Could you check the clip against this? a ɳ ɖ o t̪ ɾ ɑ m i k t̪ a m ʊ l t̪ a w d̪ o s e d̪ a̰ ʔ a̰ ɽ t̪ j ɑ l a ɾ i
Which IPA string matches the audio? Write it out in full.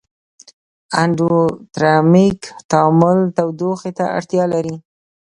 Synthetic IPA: a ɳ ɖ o t̪ ɾ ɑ m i k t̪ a m ʊ l t̪ a w d̪ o x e t̪ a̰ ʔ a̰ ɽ t̪ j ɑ l a ɾ i